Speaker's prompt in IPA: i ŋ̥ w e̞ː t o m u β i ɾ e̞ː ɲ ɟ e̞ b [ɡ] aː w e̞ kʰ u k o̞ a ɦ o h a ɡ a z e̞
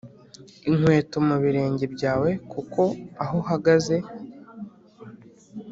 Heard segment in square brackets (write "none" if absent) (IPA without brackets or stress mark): ɟ